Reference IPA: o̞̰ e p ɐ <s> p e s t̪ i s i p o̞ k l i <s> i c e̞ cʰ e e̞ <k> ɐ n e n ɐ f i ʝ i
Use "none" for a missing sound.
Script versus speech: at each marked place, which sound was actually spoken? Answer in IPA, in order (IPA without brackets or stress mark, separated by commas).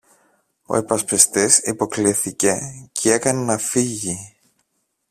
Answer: s, θ, k